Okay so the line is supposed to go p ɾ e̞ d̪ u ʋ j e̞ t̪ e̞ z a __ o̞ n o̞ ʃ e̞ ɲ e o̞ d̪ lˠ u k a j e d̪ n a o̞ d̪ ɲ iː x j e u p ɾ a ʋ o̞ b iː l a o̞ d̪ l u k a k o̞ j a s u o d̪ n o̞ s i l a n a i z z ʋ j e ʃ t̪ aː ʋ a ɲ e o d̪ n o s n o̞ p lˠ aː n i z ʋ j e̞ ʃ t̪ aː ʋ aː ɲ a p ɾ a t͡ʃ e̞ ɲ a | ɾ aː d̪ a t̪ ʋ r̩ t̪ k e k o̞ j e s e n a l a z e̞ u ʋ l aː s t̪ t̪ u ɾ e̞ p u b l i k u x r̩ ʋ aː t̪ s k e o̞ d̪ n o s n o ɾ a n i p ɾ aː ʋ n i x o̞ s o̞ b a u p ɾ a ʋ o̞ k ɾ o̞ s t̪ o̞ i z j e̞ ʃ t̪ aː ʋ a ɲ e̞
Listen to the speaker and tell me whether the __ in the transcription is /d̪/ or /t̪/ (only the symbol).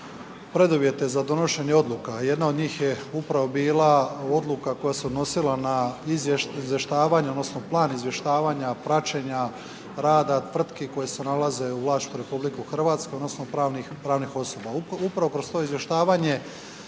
d̪